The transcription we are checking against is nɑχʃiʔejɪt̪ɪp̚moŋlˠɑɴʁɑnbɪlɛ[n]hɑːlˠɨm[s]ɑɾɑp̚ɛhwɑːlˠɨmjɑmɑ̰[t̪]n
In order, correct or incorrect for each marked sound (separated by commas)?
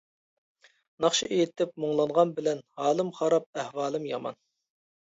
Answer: correct, incorrect, incorrect